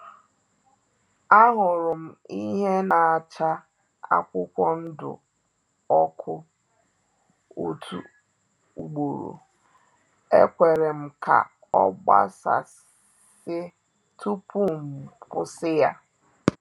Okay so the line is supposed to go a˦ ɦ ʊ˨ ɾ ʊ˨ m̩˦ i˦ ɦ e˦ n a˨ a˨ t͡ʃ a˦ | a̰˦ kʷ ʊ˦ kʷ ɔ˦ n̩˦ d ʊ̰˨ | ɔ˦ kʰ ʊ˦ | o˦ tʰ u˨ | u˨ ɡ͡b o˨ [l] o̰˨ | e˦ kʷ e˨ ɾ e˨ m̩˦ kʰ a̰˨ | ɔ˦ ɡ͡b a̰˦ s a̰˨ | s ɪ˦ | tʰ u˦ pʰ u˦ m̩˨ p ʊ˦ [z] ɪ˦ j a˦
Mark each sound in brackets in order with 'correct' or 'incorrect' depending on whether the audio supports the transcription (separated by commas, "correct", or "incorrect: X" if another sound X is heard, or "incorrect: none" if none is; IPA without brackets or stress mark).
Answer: incorrect: ɾ, incorrect: s